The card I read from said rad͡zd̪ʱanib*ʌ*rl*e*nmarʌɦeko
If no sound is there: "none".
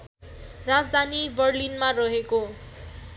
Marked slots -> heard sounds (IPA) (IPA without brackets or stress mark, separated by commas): ʌ, i